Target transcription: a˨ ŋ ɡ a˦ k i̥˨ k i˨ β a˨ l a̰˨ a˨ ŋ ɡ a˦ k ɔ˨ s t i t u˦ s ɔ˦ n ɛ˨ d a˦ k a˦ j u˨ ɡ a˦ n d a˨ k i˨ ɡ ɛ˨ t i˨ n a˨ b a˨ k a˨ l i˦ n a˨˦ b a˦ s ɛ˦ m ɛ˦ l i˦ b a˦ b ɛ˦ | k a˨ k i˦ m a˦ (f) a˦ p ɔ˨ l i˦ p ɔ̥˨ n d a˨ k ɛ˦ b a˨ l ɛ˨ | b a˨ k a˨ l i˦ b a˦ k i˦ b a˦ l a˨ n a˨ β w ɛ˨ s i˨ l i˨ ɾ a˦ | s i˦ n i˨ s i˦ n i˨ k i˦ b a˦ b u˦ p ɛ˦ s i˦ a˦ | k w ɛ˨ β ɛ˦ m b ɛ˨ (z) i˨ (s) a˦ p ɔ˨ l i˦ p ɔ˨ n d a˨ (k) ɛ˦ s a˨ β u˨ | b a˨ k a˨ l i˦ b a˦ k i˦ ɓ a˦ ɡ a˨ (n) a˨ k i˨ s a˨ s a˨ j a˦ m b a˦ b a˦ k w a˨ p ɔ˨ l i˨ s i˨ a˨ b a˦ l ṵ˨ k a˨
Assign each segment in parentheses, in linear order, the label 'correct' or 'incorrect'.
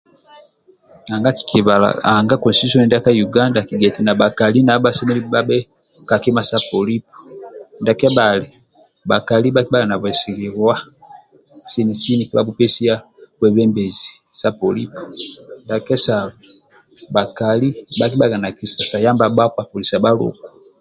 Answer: incorrect: s, correct, correct, correct, correct

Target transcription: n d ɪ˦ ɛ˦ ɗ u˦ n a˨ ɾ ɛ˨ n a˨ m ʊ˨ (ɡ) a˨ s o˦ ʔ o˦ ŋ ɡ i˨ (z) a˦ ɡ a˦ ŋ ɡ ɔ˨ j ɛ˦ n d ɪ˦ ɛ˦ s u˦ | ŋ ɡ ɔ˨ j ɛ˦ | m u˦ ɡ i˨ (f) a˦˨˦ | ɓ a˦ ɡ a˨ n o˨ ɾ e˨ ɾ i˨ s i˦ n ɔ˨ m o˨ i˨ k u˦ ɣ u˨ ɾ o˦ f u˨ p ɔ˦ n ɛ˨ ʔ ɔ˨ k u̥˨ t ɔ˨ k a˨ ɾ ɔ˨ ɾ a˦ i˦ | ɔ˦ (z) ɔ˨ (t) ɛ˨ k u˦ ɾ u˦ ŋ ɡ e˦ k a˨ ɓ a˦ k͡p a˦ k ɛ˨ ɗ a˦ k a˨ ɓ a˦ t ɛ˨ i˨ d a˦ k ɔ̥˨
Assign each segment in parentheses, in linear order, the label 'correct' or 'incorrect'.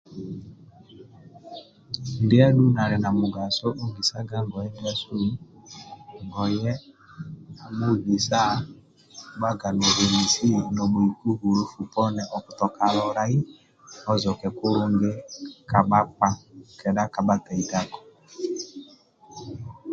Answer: correct, incorrect: s, incorrect: s, correct, incorrect: k

